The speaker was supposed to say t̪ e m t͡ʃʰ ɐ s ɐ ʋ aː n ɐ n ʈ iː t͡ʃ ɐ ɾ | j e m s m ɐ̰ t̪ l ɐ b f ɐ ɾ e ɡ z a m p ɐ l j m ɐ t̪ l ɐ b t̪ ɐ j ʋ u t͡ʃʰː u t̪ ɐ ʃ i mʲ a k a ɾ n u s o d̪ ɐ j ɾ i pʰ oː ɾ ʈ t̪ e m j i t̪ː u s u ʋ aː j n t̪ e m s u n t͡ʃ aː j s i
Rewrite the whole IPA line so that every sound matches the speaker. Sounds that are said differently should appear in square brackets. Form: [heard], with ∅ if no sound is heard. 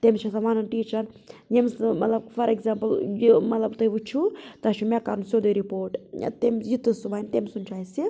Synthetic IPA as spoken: t̪ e m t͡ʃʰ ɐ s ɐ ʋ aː n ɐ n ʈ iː t͡ʃ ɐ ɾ | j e m s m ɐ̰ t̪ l ɐ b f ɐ ɾ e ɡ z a m p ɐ l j m ɐ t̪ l ɐ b t̪ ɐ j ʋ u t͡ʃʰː u t̪ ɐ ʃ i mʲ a k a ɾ n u s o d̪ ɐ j ɾ i [p] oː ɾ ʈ t̪ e m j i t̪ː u s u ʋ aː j n t̪ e m s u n t͡ʃ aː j s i